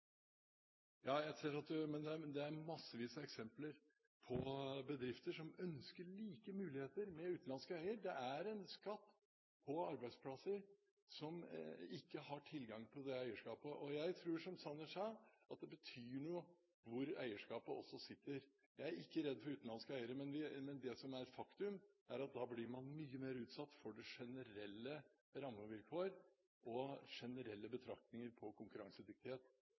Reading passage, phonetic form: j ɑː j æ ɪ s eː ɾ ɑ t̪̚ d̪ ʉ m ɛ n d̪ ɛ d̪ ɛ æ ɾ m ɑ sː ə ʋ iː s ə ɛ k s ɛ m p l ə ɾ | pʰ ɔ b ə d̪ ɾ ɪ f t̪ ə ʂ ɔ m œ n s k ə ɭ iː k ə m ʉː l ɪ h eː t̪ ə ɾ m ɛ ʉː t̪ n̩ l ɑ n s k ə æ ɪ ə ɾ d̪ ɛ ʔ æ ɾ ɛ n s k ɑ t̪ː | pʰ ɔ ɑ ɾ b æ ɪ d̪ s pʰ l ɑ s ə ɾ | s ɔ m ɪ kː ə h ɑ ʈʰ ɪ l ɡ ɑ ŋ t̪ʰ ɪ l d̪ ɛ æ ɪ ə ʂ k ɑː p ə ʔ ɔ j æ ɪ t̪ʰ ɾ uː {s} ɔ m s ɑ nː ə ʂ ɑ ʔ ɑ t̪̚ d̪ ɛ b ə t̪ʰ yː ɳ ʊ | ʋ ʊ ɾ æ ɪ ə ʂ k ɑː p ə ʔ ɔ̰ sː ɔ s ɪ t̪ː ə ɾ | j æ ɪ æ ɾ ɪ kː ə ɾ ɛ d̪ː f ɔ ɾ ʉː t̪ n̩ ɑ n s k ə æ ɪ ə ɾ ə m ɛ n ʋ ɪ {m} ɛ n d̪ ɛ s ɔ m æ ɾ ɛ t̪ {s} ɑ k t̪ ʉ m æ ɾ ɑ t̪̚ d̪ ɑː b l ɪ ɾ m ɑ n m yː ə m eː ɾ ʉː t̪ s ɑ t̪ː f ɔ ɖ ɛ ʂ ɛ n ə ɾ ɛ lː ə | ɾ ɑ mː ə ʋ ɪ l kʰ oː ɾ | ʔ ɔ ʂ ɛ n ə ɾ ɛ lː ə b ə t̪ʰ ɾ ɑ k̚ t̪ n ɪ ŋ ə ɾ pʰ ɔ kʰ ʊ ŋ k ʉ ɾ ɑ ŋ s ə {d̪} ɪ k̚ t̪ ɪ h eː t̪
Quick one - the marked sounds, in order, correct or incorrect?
incorrect, correct, incorrect, correct

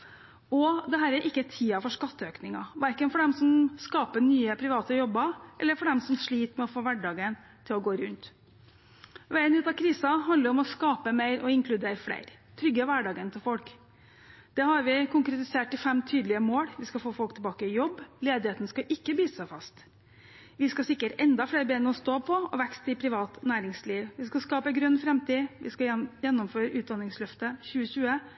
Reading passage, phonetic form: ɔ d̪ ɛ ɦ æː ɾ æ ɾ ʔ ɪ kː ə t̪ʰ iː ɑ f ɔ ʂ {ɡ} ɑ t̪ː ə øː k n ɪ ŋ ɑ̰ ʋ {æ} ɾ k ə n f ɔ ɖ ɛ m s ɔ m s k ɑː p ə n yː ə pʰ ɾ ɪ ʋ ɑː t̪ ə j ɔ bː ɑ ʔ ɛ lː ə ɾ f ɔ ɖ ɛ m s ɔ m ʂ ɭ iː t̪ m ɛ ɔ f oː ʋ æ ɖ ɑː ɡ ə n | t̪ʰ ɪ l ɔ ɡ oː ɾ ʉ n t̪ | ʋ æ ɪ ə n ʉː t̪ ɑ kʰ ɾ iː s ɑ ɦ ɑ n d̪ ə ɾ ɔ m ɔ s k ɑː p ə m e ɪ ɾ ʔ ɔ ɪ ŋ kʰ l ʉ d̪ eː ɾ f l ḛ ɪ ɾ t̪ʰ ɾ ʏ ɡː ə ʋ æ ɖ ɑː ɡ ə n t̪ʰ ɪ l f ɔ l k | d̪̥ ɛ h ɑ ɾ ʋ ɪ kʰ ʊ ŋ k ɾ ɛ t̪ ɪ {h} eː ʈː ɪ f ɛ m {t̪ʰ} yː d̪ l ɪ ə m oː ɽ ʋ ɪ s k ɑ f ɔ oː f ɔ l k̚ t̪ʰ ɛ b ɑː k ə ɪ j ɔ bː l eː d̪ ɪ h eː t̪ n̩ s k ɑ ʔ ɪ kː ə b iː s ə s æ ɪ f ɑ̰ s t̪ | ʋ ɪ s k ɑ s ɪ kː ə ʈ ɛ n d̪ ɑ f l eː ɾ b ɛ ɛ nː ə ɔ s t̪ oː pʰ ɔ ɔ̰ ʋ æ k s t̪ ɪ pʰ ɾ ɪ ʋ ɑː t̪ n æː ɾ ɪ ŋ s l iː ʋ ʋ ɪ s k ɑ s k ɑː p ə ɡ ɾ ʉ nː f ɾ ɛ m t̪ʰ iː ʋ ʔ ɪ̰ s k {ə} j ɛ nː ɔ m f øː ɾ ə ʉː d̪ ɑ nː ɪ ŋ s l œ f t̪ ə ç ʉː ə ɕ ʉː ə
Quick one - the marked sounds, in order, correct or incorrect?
incorrect, correct, incorrect, correct, incorrect

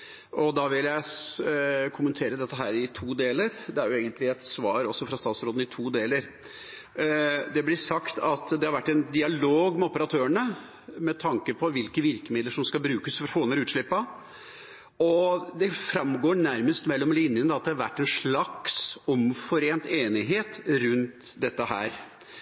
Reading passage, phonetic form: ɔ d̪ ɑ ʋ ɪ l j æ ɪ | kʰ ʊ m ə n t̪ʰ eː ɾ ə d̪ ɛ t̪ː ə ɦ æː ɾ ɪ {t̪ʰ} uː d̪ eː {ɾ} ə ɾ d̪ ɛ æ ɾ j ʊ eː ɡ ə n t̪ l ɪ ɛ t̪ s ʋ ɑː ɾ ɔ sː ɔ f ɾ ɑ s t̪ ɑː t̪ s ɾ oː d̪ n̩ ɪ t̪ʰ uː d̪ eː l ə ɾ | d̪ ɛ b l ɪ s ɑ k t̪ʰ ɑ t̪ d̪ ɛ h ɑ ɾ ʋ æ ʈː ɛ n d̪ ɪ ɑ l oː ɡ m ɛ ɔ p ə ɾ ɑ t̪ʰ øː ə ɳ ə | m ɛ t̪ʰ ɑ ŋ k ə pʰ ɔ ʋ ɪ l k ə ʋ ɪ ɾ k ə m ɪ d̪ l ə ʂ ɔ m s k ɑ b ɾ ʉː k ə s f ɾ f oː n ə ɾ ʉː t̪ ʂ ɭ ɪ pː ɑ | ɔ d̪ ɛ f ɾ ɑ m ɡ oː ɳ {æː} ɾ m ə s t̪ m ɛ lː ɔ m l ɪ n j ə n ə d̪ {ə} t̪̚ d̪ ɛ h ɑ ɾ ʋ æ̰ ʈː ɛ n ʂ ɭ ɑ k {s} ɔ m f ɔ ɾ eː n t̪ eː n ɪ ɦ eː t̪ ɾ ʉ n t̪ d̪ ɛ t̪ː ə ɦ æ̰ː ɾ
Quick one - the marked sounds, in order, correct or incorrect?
correct, incorrect, incorrect, incorrect, correct

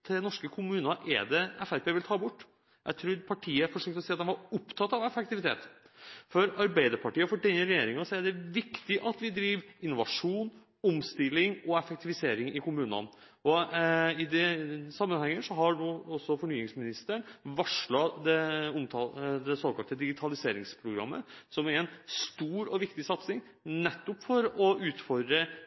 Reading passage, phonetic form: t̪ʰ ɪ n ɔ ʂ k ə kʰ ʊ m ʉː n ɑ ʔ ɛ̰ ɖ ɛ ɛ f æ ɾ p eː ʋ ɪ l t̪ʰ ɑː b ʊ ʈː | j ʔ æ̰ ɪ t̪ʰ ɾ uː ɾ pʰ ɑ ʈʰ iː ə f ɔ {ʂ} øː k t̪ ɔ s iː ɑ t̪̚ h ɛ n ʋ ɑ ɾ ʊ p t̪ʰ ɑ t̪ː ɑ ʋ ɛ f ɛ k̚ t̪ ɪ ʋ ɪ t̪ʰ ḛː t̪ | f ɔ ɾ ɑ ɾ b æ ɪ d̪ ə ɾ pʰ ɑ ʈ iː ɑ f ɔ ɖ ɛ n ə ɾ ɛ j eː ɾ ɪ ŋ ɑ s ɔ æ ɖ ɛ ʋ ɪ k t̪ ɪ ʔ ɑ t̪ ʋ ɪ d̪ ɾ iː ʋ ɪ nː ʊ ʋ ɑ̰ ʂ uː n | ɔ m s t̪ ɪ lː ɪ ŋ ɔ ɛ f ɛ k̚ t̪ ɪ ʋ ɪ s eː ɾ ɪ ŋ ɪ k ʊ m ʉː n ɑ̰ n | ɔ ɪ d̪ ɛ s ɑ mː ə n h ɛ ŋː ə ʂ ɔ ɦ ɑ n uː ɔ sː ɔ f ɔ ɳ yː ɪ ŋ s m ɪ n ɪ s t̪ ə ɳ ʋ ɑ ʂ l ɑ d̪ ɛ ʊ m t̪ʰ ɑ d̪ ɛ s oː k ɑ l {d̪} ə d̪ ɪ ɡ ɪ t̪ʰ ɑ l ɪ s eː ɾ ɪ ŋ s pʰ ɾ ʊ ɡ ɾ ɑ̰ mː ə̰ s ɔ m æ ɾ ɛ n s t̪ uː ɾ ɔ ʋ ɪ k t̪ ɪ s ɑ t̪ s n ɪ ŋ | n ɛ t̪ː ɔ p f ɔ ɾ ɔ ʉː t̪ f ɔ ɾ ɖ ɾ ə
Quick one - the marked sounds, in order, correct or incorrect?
correct, incorrect

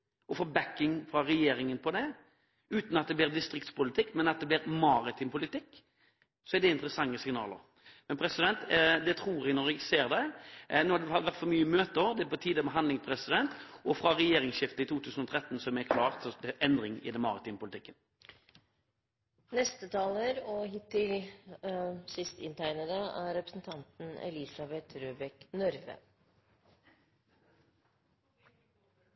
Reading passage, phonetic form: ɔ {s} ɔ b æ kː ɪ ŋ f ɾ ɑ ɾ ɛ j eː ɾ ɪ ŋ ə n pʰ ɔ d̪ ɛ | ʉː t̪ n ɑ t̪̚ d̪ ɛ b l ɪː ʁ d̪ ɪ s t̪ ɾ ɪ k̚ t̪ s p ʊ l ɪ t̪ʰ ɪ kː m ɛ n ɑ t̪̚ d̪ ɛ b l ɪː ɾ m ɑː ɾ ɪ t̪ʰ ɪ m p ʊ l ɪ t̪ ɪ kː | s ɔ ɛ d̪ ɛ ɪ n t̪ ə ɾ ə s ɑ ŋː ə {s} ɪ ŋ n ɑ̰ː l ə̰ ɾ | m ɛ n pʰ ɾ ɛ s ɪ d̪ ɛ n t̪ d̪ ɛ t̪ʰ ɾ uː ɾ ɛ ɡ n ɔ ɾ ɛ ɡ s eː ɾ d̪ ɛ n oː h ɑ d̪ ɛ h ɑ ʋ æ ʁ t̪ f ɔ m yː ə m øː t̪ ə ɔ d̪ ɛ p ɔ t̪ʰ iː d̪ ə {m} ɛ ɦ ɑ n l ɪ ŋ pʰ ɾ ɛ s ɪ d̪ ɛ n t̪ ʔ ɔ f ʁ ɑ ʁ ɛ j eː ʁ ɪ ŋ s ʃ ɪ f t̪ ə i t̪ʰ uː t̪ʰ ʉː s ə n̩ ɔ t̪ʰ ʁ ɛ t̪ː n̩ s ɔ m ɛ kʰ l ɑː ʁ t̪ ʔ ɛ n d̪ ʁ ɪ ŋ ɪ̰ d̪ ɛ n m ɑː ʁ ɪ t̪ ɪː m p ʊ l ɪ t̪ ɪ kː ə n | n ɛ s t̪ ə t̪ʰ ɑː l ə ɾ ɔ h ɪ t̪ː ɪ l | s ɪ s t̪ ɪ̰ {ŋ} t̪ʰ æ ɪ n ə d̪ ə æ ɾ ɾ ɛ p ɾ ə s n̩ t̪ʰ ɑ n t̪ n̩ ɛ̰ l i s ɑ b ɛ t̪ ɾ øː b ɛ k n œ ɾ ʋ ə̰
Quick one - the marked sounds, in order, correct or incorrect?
incorrect, correct, correct, incorrect

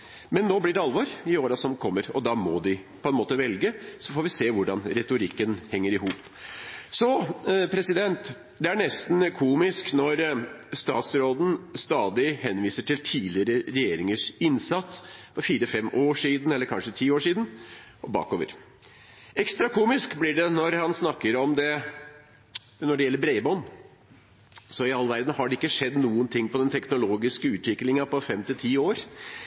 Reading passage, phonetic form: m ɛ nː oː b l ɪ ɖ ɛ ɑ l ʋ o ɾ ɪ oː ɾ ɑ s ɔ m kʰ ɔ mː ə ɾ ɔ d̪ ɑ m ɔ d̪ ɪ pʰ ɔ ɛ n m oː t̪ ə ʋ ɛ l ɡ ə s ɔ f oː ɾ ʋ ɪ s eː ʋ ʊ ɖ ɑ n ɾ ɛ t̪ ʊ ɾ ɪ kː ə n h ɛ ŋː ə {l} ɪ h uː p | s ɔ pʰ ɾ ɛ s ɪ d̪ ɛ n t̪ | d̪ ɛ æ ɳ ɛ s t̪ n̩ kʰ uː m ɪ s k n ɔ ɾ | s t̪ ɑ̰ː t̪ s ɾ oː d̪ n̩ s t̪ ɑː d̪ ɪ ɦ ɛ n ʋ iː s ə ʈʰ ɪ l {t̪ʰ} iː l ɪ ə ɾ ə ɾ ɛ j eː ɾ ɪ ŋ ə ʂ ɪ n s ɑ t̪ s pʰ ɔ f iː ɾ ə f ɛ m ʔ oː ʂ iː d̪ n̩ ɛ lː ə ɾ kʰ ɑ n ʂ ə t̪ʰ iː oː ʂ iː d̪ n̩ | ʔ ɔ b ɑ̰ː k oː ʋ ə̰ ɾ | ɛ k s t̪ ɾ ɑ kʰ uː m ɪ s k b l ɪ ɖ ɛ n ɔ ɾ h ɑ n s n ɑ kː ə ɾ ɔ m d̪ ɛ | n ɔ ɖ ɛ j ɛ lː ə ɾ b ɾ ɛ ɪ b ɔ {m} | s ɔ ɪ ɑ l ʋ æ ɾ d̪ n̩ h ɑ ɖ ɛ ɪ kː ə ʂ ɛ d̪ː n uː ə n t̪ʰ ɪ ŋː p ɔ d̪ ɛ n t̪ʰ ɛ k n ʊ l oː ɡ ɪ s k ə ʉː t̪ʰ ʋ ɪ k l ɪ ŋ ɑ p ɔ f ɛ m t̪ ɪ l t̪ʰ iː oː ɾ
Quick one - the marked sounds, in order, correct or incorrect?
incorrect, correct, incorrect

